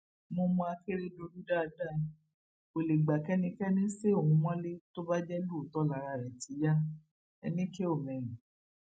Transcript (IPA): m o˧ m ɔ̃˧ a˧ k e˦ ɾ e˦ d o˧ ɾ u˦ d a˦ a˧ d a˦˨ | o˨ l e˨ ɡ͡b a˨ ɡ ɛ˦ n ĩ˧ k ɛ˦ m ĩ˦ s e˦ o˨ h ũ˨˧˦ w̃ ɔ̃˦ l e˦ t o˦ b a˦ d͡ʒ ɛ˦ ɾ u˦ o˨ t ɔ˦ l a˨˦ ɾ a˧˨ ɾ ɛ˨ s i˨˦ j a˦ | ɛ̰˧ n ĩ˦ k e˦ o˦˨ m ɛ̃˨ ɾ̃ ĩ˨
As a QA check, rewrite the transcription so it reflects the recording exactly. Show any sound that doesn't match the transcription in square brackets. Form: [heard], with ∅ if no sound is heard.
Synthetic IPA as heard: m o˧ m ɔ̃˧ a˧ k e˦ ɾ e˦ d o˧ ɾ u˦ d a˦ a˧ d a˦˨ | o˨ l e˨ ɡ͡b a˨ [k] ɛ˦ n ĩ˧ k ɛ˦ [n] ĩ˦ s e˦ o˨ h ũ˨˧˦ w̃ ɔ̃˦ l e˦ t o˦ b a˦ d͡ʒ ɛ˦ [l] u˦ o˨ t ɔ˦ l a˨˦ ɾ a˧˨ ɾ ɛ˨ [t] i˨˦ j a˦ | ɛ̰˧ n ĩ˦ k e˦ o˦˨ m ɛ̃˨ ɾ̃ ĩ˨